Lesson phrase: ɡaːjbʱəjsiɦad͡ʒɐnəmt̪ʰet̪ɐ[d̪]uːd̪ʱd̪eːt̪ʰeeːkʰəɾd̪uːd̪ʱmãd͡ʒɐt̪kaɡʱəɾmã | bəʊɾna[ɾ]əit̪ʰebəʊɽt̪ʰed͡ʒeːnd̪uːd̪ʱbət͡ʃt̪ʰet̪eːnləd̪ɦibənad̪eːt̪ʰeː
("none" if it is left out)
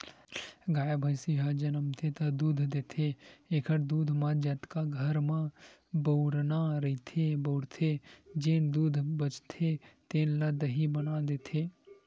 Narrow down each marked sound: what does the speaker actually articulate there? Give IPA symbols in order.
d̪, ɾ

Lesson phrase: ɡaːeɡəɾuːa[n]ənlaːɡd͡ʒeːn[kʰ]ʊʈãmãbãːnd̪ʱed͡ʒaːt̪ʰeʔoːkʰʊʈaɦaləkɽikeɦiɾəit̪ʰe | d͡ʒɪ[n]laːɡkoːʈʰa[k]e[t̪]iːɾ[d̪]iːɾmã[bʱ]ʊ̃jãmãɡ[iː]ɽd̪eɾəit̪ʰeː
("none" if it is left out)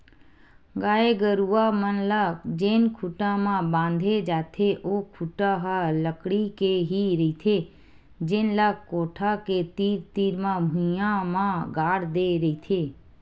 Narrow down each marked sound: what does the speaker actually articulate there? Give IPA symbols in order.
m, kʰ, n, k, t̪, t̪, bʱ, aː

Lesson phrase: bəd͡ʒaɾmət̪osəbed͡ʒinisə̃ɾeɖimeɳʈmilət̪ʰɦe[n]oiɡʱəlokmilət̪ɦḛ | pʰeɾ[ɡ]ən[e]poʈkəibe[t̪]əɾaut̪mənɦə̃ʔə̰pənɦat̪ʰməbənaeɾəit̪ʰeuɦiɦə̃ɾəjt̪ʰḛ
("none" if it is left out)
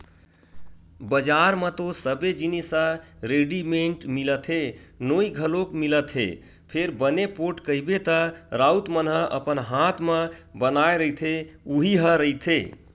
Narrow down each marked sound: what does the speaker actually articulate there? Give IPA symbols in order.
n, b, e, t̪

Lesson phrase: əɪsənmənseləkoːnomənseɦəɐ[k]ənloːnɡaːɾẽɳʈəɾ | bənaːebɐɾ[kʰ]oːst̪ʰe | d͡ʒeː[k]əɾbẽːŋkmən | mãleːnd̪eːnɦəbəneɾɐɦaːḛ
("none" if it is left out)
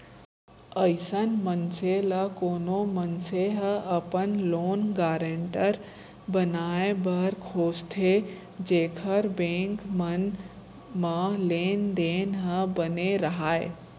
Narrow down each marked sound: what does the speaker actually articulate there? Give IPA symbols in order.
p, kʰ, kʰ

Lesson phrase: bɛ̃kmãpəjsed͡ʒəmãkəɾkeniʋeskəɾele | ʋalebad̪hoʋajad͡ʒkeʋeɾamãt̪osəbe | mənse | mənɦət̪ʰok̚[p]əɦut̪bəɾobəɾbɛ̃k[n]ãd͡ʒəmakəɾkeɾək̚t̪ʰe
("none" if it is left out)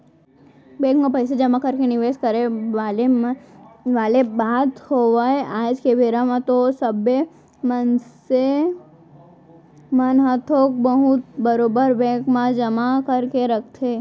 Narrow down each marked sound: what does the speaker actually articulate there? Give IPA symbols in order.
b, m

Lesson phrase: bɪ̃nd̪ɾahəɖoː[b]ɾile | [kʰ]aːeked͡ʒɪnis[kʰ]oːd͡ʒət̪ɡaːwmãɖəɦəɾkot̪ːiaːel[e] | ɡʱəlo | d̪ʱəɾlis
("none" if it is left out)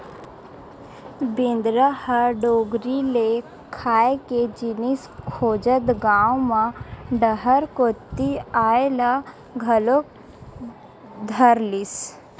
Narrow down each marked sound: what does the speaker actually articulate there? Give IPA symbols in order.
ɡ, kʰ, kʰ, a

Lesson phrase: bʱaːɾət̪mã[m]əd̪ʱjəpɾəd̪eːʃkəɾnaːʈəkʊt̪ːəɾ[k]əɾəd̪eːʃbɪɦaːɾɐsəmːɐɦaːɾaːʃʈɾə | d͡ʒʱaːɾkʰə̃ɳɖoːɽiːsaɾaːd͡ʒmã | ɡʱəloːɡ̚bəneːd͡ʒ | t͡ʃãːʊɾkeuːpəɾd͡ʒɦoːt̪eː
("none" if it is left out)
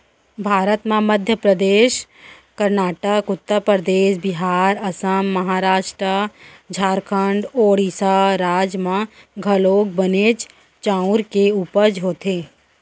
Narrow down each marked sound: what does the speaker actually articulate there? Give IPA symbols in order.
m, p

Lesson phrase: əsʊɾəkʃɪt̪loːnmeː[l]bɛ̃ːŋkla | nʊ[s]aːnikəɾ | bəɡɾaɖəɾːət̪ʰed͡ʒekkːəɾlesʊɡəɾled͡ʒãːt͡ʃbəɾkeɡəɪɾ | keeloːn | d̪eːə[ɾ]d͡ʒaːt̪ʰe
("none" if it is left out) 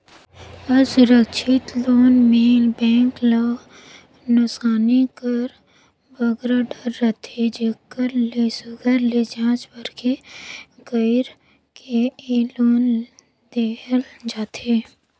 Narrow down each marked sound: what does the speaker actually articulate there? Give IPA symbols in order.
l, s, l

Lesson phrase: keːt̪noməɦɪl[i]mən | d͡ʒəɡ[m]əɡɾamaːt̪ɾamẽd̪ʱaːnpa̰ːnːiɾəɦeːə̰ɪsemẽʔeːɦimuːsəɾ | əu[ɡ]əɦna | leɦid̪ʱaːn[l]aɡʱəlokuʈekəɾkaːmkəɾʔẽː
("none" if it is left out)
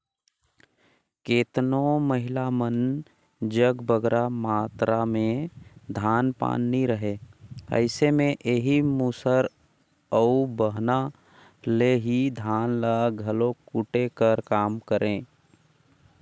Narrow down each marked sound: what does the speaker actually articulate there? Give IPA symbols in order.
a, b, b, l

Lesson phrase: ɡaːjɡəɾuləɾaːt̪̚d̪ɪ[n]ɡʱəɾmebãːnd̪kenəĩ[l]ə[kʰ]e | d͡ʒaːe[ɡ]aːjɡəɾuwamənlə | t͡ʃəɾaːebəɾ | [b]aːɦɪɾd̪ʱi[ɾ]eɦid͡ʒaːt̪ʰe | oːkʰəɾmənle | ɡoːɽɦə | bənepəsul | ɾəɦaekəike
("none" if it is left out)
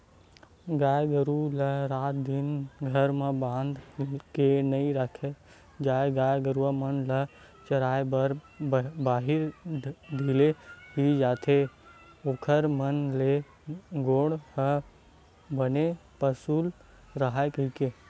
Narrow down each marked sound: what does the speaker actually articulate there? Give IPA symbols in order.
n, ɾ, kʰ, ɡ, b, l

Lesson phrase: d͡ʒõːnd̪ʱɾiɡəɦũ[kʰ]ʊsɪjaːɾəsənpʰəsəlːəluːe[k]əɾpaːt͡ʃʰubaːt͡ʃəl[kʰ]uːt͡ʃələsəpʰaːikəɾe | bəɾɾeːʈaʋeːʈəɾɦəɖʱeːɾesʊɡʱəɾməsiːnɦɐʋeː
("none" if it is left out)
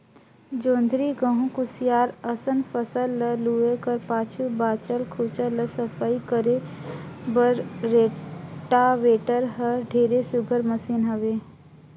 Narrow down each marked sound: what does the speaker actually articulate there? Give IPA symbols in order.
k, k, kʰ

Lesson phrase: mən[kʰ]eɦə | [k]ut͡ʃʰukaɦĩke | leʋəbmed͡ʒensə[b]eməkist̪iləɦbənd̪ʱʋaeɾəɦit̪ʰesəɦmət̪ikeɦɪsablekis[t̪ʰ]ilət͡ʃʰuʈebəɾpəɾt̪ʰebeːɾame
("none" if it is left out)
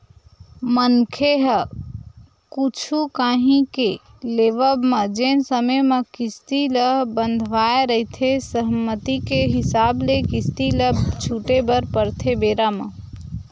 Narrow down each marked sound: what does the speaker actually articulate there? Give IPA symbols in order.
kʰ, k, m, t̪

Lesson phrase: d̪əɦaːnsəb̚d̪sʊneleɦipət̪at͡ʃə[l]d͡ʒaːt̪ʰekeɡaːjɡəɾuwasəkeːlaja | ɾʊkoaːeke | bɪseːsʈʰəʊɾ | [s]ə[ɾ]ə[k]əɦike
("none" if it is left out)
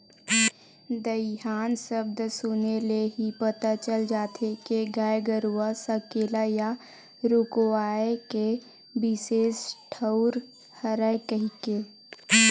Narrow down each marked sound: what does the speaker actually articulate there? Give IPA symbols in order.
l, h, ɾ, k

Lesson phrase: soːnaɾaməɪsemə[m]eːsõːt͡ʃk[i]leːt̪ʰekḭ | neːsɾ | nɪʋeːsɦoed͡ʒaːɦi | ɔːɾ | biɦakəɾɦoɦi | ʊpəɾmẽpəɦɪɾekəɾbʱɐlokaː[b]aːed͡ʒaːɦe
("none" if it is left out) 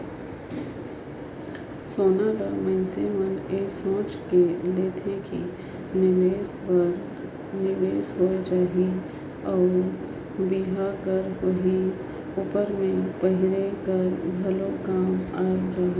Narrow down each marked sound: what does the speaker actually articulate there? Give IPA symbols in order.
n, e, m

